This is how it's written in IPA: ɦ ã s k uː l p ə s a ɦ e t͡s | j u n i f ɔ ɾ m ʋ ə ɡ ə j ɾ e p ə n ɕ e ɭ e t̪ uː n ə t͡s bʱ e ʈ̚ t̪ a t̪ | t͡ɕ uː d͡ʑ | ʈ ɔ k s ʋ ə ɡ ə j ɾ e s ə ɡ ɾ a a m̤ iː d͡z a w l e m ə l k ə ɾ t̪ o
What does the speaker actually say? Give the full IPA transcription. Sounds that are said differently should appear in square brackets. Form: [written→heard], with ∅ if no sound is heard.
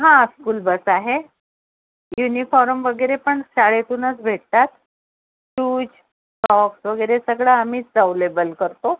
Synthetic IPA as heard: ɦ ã s k uː l [p→b] ə s a ɦ e [t͡s→∅] | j u n i f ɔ ɾ m ʋ ə ɡ ə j ɾ e p ə [n→ɳ] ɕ [e→a] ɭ e t̪ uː n ə t͡s bʱ e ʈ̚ t̪ a t̪ | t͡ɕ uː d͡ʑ | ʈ ɔ k s ʋ ə ɡ ə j ɾ e s ə ɡ [ɾ→ɭ] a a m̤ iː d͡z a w l e [m→b] ə l k ə ɾ t̪ o

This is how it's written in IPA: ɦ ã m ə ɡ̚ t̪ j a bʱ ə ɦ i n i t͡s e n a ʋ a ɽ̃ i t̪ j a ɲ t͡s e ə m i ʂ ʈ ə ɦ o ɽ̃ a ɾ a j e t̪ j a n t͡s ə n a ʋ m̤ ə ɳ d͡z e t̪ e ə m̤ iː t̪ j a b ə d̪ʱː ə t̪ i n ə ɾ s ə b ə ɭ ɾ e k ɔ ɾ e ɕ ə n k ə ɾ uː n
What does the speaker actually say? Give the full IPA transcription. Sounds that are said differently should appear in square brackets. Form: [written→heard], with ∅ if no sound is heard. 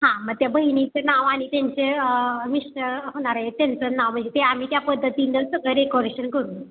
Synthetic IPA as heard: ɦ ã m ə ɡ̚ t̪ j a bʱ ə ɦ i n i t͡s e n a ʋ a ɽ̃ i t̪ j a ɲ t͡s e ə m i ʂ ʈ ə ɦ o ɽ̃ a ɾ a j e t̪ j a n t͡s ə n a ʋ m̤ ə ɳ d͡z e t̪ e [ə→a] m̤ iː t̪ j a [b→p] ə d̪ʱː ə t̪ i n ə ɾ s ə [b→ɡ] ə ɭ ɾ e k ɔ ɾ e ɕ ə n k ə ɾ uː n

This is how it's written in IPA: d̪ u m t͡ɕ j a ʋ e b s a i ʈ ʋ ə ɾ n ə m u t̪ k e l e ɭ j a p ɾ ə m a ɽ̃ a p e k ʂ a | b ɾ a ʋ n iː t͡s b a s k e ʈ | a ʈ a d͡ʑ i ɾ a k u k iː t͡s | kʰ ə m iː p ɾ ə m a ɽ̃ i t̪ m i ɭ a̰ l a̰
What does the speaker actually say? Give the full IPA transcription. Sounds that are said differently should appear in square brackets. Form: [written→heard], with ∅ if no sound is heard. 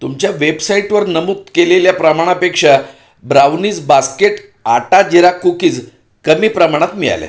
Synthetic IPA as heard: [d̪→t̪] u m t͡ɕ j a ʋ e b s a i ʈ ʋ ə ɾ n ə m u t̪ k e l e [ɭ→l] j a p ɾ ə m a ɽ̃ a p e k ʂ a | b ɾ a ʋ n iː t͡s b a s k e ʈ | a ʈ a d͡ʑ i ɾ a k u k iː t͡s | [kʰ→k] ə m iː p ɾ ə m a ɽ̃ [i→a] t̪ m i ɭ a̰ l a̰

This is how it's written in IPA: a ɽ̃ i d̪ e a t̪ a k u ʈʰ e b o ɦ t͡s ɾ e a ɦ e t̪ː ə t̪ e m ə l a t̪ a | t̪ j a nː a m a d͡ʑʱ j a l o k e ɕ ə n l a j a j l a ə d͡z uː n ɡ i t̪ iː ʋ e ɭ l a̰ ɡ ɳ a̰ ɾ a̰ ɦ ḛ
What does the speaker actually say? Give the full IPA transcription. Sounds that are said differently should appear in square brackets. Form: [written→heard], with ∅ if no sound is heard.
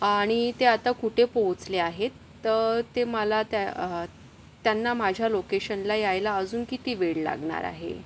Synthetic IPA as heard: a ɽ̃ i [d̪→t̪] e a t̪ a k u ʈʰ e [b→p] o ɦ t͡s [ɾ→l] e a ɦ e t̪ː ə t̪ e m ə l a t̪ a | t̪ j a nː a m a d͡ʑʱ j a l o k e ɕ ə n l a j a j l a ə d͡z uː n [ɡ→k] i t̪ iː ʋ e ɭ l a̰ ɡ ɳ a̰ ɾ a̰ ɦ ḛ

